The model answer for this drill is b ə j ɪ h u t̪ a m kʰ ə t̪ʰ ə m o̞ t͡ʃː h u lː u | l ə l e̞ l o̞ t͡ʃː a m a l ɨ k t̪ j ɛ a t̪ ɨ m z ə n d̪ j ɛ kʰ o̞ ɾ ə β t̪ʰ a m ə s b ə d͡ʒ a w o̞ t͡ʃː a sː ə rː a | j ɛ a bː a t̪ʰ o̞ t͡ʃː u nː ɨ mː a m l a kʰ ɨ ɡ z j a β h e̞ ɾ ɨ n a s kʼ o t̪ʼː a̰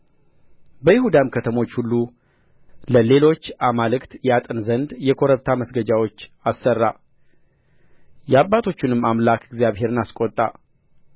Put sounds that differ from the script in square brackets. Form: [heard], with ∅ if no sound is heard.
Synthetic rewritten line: b ə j ɪ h u [d̪] a m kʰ ə t̪ʰ ə m o̞ t͡ʃː h u lː u | l ə l e̞ l o̞ t͡ʃː a m a l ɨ k t̪ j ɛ a [t̪ʼ] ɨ [n] z ə n d̪ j ɛ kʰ o̞ ɾ ə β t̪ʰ a m ə s [ɡ] ə d͡ʒ a w o̞ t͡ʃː a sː ə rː a | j ɛ a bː a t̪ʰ o̞ t͡ʃː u [n] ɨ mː a m l a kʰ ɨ ɡ z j a β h e̞ ɾ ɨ n a s kʼ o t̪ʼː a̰